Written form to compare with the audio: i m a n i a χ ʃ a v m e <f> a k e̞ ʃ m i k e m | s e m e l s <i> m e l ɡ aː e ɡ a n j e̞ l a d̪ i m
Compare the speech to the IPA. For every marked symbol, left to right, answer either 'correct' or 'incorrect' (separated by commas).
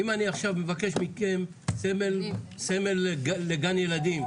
incorrect, incorrect